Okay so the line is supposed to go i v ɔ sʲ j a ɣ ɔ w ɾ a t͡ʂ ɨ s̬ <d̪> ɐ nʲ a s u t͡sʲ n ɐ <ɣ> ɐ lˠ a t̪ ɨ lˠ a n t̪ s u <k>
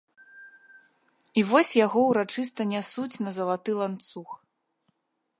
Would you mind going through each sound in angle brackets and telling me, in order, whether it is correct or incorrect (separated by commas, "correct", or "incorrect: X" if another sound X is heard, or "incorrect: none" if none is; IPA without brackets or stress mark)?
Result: incorrect: t̪, incorrect: z, incorrect: x